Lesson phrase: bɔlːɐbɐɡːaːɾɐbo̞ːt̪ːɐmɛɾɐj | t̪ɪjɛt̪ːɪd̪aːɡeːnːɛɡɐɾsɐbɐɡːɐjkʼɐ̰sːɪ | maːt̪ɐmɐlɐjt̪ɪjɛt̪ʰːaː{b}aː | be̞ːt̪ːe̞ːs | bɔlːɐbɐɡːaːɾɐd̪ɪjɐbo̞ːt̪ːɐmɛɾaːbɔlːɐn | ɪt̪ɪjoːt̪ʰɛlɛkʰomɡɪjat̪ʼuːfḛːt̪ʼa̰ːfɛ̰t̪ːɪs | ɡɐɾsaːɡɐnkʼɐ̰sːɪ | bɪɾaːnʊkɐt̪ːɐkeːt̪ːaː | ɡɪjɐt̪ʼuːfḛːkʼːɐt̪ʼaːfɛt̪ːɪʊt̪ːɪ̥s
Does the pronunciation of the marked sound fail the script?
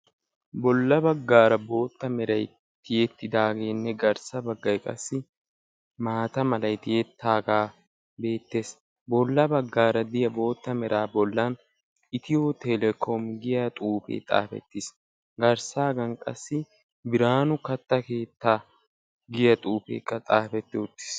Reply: yes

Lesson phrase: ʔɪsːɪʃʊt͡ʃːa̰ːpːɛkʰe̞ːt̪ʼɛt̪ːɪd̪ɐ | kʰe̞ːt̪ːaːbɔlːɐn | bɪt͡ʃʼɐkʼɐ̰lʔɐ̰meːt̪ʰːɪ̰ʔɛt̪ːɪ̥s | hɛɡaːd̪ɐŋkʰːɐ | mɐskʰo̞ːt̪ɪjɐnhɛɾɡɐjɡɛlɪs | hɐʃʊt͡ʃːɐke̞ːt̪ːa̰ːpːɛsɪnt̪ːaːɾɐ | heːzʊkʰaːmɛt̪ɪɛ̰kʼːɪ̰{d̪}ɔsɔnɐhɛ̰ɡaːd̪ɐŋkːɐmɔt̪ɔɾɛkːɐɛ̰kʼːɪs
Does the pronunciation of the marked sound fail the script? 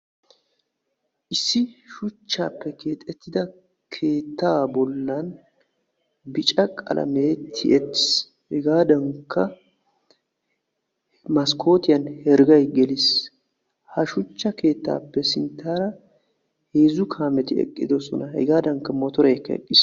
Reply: no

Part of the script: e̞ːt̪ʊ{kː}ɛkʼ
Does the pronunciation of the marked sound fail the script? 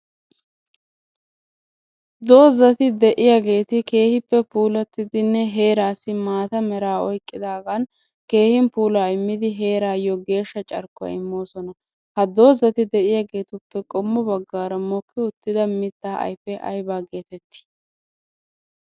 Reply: yes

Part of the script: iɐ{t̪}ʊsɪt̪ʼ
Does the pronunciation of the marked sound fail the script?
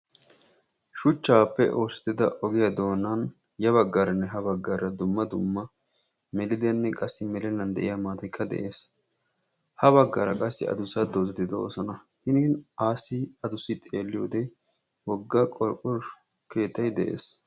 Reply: yes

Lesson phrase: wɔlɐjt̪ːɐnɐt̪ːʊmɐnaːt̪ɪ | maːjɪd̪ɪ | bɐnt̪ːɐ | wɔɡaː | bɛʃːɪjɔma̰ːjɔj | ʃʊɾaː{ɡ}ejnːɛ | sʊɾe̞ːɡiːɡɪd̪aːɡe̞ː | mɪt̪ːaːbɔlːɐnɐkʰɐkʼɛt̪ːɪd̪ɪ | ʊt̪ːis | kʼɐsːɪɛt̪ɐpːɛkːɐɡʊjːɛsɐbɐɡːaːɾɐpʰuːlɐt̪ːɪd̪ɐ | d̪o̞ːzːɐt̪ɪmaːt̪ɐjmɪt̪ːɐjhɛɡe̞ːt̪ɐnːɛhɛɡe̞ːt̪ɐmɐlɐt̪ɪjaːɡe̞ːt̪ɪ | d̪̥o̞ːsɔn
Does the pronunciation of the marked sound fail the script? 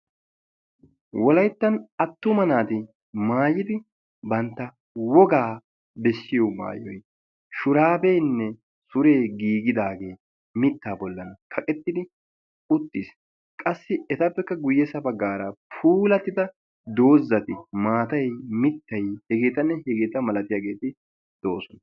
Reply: yes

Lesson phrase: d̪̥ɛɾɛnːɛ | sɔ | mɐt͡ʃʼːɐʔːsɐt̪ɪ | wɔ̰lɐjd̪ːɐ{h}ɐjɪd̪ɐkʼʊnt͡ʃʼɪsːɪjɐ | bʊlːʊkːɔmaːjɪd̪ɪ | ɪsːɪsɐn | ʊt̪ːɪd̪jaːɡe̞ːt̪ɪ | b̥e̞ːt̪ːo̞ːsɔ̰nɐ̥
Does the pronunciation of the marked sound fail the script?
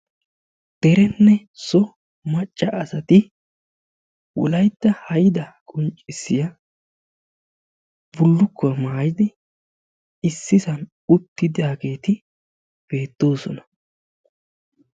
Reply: no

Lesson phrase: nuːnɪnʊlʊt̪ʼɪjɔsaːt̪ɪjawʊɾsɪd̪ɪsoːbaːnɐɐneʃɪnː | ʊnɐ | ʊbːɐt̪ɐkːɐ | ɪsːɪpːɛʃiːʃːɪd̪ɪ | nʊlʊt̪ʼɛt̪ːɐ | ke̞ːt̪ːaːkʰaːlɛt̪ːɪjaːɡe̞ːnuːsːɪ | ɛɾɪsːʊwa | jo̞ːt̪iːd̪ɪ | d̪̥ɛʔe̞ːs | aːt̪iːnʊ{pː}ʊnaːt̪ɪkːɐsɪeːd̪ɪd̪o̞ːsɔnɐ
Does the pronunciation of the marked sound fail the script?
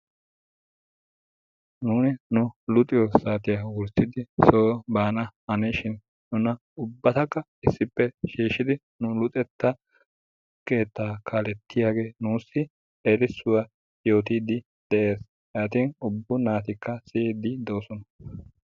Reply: yes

